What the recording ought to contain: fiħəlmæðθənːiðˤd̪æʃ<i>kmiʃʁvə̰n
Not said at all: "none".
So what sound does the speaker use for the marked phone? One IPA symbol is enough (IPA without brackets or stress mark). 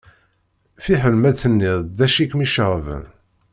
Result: i